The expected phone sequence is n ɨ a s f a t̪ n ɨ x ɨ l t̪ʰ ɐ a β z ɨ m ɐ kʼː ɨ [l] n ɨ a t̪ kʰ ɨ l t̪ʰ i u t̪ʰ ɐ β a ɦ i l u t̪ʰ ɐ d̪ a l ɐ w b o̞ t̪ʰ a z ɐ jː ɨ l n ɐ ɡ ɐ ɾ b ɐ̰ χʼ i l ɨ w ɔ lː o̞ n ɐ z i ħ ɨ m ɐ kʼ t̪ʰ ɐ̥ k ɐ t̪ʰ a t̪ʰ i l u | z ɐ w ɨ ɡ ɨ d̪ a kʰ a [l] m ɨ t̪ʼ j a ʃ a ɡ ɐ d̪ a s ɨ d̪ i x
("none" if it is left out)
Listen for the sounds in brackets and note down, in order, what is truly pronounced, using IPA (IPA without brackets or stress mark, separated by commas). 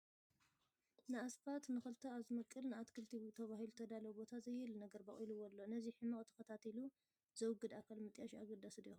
l, l